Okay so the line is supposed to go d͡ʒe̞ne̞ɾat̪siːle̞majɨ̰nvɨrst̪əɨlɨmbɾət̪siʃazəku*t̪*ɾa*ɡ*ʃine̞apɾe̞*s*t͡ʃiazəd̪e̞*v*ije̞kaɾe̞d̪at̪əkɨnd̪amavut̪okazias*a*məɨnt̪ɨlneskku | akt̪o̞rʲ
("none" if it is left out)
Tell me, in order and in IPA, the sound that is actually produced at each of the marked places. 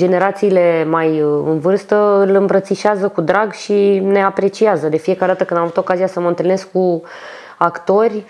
d̪, ɡ, none, f, ə

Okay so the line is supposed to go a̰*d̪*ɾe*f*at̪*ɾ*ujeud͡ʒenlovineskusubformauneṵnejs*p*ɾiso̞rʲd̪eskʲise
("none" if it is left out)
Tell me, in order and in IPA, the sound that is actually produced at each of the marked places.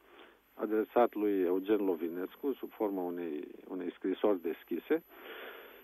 d̪, s, l, k

